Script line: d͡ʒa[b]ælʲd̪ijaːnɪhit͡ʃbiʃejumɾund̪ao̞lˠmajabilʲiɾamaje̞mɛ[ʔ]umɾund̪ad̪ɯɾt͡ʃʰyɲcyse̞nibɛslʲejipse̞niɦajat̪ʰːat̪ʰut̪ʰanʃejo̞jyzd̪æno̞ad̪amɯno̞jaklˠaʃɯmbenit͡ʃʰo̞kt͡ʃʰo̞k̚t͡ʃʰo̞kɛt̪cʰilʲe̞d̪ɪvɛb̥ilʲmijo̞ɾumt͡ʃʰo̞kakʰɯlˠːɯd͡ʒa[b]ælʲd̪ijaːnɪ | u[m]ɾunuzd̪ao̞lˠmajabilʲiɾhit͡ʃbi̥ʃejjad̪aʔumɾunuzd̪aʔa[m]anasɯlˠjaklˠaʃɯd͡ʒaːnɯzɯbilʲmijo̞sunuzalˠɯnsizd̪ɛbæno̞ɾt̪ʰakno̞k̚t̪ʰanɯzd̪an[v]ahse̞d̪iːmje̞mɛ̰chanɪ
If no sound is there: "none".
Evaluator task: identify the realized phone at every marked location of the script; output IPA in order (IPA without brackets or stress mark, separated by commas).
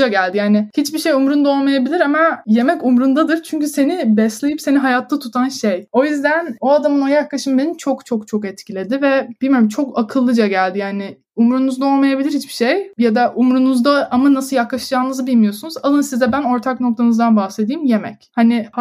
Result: ɟ, c, ɟ, m, m, b